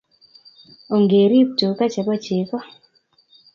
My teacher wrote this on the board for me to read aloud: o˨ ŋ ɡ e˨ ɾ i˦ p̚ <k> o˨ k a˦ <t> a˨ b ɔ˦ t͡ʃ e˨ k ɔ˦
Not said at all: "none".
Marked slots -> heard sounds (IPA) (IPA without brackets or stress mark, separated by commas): t, t͡ʃ